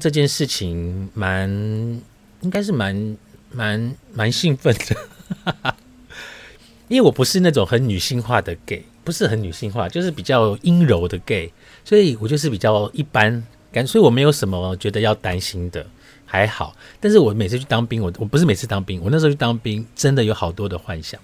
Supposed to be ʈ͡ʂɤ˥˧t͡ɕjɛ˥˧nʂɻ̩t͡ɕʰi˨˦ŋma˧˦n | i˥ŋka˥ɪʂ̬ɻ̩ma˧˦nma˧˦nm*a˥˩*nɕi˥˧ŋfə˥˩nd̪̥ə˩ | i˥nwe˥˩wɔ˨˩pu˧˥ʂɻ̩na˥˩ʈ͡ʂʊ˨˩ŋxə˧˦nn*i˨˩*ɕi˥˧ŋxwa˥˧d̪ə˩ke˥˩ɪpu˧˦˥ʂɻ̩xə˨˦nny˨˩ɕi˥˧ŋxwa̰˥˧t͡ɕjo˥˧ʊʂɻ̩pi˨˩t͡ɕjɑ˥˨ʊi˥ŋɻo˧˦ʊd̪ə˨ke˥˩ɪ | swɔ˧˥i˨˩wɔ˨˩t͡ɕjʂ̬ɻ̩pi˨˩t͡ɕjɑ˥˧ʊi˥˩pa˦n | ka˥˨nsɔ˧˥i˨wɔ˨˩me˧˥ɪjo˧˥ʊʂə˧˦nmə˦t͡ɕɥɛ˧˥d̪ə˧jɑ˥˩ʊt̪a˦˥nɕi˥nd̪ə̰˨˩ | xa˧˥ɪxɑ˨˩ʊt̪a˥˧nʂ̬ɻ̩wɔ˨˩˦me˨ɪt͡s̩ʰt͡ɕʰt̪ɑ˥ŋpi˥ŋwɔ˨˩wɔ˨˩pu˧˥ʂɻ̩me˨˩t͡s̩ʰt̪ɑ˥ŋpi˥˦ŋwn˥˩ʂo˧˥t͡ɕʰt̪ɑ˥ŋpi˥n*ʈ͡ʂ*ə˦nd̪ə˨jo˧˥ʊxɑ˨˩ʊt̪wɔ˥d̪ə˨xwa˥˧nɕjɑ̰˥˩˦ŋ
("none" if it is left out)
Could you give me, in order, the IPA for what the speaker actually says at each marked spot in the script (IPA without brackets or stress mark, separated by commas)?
a˧˦, y˨˩, ʈ͡ʂ